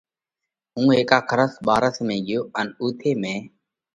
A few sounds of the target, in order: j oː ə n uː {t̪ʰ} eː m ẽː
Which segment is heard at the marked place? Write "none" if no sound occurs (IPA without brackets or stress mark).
t̪ʰ